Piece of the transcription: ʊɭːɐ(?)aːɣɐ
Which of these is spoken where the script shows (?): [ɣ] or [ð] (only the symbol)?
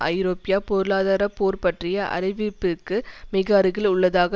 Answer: ð